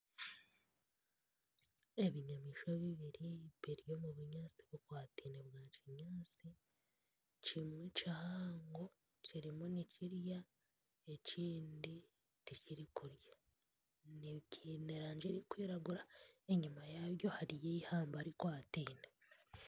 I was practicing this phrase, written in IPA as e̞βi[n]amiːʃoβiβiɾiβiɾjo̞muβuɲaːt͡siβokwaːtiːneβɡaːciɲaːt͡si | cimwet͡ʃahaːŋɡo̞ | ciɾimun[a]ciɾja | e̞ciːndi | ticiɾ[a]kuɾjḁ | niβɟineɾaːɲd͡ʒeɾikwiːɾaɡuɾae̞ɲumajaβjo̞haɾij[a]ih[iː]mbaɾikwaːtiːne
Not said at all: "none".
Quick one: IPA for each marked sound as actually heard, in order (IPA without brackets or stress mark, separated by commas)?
ɲ, i, i, e, aː